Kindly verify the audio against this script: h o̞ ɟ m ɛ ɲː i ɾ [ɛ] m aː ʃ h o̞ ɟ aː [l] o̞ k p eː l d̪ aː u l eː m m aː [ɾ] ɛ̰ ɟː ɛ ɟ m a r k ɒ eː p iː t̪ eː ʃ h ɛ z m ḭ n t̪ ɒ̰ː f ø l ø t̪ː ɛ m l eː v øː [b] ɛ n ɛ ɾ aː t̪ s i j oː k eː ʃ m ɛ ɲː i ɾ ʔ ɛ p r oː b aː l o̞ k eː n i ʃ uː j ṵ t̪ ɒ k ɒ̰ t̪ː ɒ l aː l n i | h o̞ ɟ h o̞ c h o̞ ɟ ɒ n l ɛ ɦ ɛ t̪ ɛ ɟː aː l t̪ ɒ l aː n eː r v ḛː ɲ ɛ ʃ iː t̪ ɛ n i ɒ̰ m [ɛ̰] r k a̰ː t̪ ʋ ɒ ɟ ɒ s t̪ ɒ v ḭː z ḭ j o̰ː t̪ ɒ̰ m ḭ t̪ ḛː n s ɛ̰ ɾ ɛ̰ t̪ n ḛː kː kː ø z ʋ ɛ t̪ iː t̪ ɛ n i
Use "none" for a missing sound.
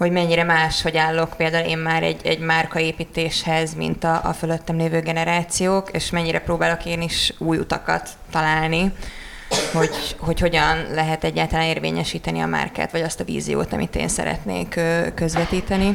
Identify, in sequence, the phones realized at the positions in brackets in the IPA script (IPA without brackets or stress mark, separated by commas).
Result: ɛ, lː, ɾ, ɡ, a̰